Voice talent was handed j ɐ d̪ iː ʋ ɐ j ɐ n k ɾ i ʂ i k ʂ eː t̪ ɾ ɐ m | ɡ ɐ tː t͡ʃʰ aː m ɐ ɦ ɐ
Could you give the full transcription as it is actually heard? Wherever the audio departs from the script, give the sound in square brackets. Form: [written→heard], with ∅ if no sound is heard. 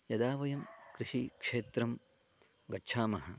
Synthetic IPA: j ɐ d̪ [iː→aː] ʋ ɐ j ɐ [n→m] k ɾ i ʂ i k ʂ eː t̪ ɾ ɐ m | ɡ ɐ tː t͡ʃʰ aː m ɐ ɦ ɐ